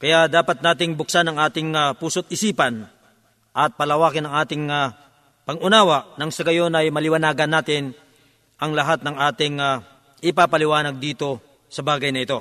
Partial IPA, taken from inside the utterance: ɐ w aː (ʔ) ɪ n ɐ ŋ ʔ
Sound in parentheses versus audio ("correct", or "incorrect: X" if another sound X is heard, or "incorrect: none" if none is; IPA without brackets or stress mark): incorrect: k